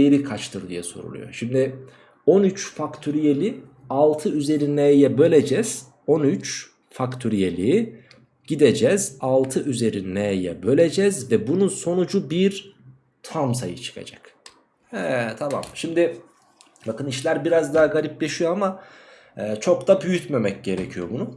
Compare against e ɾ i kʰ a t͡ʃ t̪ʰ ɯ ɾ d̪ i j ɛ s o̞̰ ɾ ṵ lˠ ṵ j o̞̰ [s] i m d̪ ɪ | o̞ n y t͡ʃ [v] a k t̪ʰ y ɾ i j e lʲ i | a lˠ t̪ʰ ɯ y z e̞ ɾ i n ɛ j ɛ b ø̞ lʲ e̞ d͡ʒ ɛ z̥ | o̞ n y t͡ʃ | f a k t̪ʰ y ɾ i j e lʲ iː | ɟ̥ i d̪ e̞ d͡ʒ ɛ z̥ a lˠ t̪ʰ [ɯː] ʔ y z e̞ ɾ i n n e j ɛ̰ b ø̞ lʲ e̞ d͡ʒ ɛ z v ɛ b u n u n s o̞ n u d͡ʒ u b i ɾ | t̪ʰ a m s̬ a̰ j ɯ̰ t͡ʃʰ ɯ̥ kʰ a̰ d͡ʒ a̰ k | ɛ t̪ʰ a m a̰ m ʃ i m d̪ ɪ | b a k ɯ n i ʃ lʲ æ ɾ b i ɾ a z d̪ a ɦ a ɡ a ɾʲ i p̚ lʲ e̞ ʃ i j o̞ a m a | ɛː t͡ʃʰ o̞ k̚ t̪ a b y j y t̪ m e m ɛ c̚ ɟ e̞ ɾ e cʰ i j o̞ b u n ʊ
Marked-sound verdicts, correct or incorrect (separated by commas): incorrect, incorrect, incorrect